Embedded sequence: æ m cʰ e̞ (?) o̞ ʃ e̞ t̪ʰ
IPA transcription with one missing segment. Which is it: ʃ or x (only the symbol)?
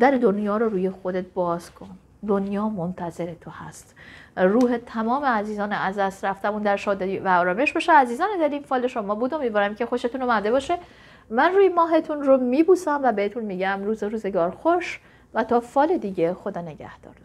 x